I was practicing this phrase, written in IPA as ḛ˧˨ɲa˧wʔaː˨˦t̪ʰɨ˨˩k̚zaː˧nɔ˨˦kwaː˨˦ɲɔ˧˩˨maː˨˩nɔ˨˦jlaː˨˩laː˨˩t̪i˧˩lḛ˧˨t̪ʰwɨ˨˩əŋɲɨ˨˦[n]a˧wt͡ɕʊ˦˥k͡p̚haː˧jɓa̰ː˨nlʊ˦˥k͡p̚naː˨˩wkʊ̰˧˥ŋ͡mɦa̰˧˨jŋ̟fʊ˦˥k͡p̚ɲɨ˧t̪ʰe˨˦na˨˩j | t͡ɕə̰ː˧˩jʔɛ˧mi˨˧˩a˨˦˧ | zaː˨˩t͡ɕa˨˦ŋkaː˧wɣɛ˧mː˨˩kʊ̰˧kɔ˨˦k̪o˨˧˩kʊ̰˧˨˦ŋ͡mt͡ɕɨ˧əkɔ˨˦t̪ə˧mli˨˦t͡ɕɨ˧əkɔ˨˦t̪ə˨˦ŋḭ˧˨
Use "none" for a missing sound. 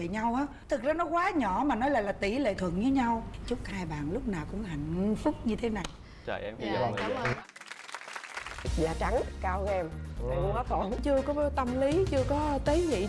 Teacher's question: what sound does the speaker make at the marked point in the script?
ɲ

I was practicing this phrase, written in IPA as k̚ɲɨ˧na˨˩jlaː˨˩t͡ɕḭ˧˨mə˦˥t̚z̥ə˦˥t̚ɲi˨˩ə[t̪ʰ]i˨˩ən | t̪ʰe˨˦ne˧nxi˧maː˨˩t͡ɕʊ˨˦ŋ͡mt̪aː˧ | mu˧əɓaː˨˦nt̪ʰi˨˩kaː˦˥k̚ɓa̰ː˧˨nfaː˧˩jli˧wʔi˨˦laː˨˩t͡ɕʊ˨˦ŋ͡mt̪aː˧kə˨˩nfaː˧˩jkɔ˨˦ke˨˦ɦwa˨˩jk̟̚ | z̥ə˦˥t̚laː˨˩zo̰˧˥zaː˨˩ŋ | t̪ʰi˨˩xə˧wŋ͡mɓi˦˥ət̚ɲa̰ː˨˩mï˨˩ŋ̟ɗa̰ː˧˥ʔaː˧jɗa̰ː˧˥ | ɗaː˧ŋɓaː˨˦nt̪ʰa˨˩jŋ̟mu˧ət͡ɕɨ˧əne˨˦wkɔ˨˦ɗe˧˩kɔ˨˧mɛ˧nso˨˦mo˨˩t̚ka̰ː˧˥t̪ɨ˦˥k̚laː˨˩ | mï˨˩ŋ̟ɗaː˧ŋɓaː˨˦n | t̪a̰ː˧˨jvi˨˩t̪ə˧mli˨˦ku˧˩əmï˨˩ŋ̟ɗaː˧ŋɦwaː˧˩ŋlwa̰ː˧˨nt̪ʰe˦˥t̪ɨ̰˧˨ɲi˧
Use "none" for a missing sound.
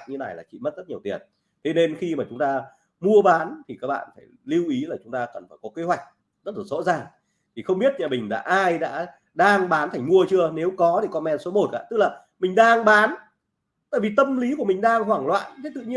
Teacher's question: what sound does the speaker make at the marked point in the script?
t̪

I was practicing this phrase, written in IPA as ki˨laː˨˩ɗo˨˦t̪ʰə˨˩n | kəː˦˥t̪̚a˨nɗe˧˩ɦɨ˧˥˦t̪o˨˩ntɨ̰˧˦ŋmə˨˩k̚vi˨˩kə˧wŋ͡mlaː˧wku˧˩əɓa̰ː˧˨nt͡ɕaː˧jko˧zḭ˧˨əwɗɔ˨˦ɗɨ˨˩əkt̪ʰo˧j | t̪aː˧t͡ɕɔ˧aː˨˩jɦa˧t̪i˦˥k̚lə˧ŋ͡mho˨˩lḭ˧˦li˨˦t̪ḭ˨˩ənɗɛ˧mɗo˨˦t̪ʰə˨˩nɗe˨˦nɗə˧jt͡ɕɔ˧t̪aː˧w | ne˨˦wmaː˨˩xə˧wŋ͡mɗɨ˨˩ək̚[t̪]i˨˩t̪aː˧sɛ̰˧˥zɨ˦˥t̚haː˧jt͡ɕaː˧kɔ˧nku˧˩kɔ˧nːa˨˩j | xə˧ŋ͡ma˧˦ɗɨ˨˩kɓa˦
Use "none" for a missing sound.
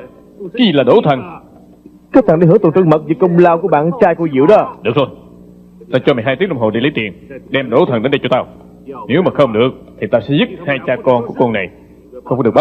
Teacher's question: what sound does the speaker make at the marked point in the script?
t̪ʰ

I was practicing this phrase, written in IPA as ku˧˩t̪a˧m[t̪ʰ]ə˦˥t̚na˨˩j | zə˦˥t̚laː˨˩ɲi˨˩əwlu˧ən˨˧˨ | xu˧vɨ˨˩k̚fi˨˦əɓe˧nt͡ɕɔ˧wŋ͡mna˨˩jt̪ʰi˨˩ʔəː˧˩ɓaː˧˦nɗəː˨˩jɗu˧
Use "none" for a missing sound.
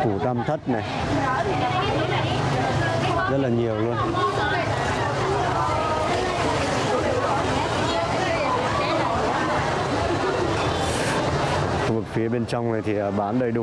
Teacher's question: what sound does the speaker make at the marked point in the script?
t̪ʰ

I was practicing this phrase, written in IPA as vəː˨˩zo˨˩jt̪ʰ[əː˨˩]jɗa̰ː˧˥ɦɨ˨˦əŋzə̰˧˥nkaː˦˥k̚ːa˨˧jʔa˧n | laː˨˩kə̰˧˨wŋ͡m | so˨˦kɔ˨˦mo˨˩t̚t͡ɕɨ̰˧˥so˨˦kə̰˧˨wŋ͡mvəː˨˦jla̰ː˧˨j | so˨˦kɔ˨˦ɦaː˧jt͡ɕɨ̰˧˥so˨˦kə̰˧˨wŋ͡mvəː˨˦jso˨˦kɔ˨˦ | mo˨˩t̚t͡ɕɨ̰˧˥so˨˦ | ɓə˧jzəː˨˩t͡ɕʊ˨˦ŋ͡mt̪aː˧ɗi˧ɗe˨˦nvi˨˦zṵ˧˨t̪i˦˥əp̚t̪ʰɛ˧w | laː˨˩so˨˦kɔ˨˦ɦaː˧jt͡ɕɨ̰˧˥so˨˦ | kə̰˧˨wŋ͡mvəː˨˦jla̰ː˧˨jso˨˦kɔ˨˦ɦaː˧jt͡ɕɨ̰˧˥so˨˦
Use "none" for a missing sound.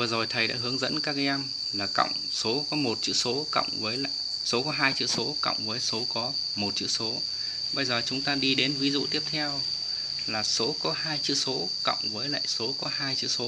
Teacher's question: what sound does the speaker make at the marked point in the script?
ə˨˩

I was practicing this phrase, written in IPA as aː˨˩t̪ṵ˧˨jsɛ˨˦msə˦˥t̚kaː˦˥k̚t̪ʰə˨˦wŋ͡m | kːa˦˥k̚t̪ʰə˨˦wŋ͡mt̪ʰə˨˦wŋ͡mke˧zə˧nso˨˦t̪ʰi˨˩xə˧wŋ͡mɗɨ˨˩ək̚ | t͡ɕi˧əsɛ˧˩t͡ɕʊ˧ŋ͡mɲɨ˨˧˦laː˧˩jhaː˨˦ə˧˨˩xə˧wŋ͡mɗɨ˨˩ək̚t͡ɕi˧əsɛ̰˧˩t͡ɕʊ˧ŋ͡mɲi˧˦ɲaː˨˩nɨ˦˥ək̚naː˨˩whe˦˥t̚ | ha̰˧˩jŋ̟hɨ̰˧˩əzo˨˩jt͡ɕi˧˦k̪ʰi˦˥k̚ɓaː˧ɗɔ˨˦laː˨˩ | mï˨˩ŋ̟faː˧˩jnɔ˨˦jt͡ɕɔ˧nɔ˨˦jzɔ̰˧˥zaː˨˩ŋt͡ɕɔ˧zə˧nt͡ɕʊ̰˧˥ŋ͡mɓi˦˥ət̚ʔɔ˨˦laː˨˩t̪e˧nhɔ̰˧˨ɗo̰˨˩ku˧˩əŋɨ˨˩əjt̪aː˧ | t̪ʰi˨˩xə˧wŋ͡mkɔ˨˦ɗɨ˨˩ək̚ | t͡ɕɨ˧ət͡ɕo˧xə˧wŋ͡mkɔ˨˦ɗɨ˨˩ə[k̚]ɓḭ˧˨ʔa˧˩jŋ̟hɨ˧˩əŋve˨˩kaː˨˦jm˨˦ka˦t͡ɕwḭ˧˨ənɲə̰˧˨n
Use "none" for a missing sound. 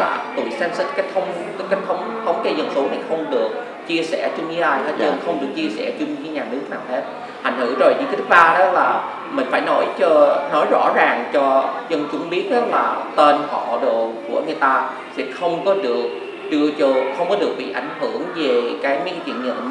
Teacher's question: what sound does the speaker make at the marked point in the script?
k̚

